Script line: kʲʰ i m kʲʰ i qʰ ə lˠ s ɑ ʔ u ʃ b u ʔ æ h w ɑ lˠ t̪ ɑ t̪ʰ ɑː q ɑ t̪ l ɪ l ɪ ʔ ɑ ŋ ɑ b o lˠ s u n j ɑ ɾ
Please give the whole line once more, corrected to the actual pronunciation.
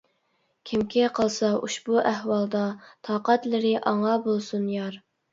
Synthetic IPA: kʲʰ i m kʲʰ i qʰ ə lˠ s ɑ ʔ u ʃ b u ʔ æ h w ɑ lˠ d̪ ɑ t̪ʰ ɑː q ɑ t̪ l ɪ ɾ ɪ ʔ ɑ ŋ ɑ b o lˠ s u n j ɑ ɾ

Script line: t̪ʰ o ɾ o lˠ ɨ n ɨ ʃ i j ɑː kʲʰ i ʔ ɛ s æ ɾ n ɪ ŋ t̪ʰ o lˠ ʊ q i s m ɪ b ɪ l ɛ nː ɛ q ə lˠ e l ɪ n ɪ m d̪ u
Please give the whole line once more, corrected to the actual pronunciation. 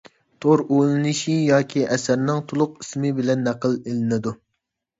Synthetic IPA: t̪ʰ o ɾ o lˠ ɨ n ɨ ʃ i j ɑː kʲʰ i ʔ ɛ s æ ɾ n ɪ ŋ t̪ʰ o lˠ ʊ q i s m ɪ b ɪ l ɛ nː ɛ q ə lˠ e l ɪ n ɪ d̪ u

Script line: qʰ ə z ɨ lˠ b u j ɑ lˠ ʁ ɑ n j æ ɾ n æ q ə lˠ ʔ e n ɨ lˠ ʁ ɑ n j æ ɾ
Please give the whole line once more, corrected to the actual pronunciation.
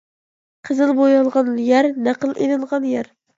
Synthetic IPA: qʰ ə z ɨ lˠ b o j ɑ lˠ ʁ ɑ n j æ ɾ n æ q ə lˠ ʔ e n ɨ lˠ ʁ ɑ n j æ ɾ

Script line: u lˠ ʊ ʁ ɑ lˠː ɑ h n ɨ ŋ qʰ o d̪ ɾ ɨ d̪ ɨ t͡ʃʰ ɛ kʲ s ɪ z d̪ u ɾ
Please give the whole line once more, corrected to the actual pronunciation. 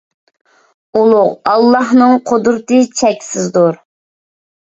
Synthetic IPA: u lˠ ʊ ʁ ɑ lˠː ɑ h n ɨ ŋ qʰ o d̪ ɾ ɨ t̪ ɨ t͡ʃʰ ɛ kʲ s ɪ z d̪ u ɾ

